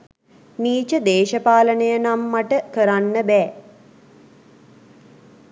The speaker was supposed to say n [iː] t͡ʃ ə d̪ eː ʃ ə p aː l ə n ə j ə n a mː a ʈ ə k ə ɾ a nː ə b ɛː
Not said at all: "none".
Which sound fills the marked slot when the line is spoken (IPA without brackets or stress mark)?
iː